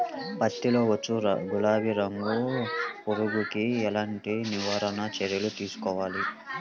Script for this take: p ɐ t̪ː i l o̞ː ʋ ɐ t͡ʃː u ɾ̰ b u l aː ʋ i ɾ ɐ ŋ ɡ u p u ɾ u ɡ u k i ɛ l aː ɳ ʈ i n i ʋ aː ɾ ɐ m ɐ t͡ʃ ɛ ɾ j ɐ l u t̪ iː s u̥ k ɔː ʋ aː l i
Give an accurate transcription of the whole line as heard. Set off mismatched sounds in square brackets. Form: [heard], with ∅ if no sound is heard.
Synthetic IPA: p ɐ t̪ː i l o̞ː ʋ ɐ t͡ʃː u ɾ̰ [ɡ] u l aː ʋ i ɾ ɐ ŋ ɡ u p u ɾ u ɡ u k i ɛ l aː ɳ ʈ i n i ʋ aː ɾ ɐ [n] ɐ t͡ʃ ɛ ɾ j ɐ l u t̪ iː s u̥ k ɔː ʋ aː l i